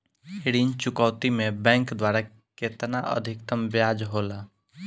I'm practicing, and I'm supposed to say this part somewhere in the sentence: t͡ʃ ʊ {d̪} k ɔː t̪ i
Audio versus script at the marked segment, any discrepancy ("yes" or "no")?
yes